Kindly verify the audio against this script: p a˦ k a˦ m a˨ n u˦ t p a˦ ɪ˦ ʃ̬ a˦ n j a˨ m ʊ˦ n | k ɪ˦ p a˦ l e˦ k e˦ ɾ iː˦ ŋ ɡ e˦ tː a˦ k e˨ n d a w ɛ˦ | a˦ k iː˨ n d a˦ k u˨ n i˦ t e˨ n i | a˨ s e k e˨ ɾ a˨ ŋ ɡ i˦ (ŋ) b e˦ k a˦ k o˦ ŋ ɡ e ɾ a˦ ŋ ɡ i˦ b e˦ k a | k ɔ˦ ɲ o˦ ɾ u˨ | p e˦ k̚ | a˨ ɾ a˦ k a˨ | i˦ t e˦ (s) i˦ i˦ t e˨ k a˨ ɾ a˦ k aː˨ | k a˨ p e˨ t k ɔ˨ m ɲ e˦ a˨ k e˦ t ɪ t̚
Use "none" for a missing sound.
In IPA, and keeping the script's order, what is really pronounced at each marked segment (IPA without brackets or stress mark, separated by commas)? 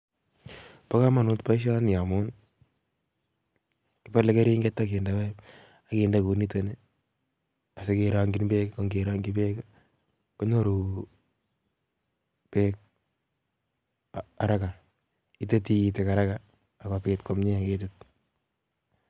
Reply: n, t